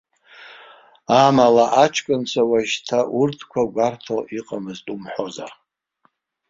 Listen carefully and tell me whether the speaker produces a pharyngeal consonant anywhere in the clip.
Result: yes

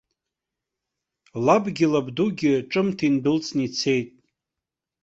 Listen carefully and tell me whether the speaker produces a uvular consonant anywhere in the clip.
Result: no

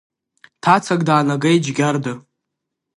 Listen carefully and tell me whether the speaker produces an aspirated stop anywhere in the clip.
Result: yes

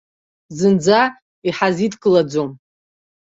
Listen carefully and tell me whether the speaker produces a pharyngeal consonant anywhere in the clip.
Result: yes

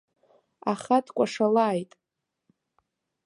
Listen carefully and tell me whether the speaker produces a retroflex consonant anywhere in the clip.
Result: yes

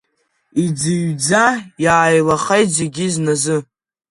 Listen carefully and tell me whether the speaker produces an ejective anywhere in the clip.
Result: no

